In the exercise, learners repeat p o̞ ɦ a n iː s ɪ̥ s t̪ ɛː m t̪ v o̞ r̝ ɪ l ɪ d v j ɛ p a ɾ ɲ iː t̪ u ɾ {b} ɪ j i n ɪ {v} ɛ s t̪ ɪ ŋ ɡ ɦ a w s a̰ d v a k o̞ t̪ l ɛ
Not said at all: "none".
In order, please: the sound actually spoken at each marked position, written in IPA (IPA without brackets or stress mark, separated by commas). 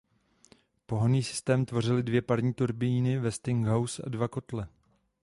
b, v